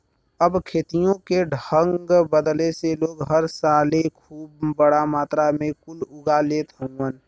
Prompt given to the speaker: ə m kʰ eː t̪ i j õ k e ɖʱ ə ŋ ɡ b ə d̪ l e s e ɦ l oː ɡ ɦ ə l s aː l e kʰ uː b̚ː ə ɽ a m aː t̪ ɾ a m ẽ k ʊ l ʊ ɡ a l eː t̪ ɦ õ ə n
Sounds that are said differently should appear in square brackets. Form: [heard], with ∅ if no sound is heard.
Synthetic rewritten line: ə [b] kʰ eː t̪ i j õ k e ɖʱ ə ŋ ɡ b ə d̪ l e s e [∅] l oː ɡ ɦ ə [ɾ] s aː l e kʰ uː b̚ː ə ɽ a m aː t̪ ɾ a m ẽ k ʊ l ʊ ɡ a l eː t̪ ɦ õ ə n